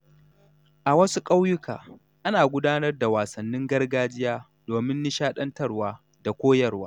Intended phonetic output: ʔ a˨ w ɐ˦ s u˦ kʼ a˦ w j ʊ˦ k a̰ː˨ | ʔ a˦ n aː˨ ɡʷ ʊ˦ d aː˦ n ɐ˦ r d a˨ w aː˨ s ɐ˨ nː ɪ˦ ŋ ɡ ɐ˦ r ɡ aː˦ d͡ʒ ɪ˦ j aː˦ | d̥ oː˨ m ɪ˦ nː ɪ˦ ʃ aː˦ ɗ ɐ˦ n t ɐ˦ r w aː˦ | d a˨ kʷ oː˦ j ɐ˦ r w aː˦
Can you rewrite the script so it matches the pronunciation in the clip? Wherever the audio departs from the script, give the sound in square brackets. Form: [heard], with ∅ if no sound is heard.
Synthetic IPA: ʔ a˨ w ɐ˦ s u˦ kʼ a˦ w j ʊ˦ k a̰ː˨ | ʔ a˦ n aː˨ ɡʷ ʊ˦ d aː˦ n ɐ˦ r d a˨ w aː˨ s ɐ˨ nː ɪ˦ ŋ ɡ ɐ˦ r ɡ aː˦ d͡ʒ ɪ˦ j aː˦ | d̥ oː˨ m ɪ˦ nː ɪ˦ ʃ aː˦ ɗ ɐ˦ n t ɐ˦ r w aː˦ | d a˨ kʷ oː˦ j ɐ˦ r w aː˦